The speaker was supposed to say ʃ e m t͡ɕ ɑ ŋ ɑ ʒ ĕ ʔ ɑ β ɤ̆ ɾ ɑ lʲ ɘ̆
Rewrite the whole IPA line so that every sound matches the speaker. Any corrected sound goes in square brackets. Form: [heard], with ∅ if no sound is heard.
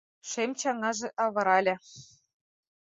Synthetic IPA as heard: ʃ e m t͡ɕ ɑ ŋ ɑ ʒ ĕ ʔ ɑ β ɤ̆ ɾ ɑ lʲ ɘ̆